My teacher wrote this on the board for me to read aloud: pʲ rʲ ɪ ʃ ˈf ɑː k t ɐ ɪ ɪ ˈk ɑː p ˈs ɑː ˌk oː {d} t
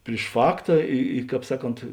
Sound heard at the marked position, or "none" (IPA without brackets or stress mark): n